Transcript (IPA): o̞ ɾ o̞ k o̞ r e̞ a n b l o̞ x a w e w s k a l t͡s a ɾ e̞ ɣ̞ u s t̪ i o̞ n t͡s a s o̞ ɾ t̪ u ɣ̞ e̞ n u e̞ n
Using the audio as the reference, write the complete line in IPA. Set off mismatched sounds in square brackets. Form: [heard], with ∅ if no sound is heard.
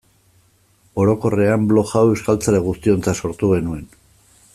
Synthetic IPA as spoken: o̞ ɾ o̞ k o̞ r e̞ a [m] b l o̞ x a w e w s k a l t͡s a ɾ e̞ ɣ̞ u s t̪ i o̞ n t͡s a s o̞ ɾ t̪ u ɣ̞ e̞ n u e̞ n